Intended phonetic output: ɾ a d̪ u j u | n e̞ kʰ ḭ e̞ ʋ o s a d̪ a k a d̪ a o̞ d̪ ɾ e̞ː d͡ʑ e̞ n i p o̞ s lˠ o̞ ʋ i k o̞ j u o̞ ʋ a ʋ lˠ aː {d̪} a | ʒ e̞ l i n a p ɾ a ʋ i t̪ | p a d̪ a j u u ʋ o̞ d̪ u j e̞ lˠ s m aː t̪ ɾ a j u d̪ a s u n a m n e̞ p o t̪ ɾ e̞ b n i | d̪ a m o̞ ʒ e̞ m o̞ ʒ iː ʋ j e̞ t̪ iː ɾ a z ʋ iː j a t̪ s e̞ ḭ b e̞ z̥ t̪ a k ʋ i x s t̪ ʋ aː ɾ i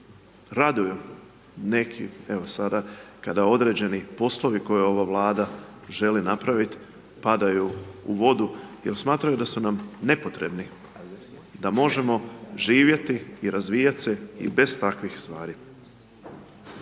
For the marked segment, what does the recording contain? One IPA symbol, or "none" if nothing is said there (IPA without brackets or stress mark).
d̪